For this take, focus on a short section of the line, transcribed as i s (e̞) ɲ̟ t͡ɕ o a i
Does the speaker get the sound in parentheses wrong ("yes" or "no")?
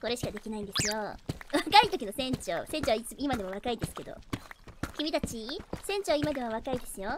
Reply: yes